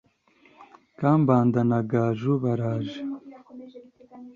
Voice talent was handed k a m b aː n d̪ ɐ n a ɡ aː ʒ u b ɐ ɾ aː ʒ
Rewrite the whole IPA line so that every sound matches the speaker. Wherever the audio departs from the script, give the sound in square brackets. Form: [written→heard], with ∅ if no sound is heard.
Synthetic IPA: k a m b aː n d̪ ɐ n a ɡ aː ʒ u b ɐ ɾ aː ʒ